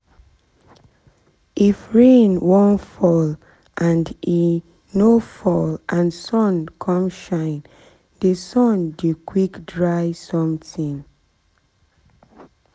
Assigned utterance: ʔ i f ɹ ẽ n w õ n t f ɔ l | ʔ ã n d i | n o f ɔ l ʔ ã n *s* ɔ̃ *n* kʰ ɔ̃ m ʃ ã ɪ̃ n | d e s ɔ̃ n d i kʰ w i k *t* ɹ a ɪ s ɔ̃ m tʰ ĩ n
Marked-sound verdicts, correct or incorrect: correct, correct, incorrect

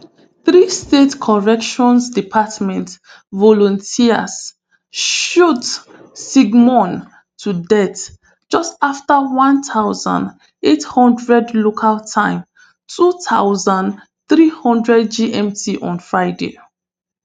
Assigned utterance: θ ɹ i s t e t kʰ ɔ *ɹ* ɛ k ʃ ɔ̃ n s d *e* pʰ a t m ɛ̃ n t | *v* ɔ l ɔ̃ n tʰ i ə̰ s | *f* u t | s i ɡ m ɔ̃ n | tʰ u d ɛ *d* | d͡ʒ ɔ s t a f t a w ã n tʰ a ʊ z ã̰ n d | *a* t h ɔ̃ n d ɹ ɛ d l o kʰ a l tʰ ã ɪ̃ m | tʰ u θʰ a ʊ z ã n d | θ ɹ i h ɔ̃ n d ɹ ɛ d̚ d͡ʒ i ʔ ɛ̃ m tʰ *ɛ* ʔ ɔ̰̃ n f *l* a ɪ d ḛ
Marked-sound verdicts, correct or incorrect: correct, incorrect, correct, incorrect, incorrect, incorrect, incorrect, incorrect

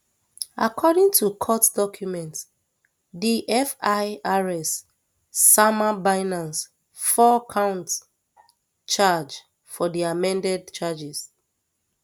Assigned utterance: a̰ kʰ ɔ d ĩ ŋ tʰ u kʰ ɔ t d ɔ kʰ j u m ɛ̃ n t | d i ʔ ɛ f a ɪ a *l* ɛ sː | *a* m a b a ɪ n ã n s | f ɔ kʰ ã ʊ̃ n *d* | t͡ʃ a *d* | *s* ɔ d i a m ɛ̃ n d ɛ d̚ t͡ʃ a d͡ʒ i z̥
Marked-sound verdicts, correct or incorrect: incorrect, correct, incorrect, incorrect, incorrect

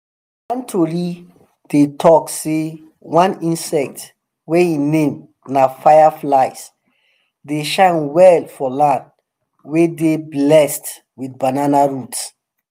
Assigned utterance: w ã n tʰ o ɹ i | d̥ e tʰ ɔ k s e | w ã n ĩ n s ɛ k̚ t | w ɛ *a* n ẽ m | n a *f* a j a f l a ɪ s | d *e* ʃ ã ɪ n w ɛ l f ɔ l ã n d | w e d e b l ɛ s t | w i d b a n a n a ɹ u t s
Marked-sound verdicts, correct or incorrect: incorrect, correct, correct

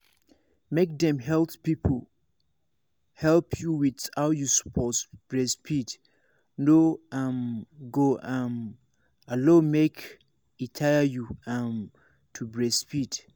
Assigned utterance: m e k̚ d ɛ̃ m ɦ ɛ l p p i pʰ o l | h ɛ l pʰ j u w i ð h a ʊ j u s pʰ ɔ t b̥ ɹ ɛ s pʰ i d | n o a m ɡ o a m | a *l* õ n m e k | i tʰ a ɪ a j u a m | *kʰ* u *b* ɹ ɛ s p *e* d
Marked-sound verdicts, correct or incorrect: correct, incorrect, correct, incorrect

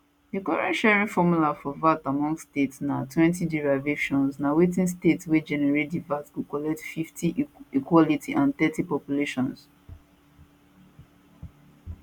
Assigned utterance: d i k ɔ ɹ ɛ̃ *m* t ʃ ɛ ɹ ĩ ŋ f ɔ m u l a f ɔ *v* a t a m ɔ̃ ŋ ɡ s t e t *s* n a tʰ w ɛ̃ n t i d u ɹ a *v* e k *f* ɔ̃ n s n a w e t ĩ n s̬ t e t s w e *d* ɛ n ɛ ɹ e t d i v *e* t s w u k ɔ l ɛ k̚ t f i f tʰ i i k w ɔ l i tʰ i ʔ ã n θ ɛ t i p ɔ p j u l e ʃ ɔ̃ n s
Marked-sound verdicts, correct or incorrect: incorrect, correct, correct, correct, incorrect, incorrect, incorrect

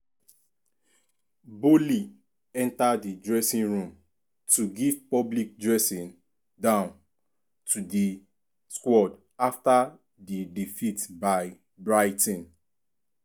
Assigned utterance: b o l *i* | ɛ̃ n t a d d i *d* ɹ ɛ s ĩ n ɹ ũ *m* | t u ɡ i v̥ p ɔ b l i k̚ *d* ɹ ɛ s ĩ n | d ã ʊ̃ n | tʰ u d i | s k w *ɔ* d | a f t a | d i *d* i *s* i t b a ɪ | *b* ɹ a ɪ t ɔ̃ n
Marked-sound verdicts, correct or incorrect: correct, correct, correct, correct, correct, correct, incorrect, correct

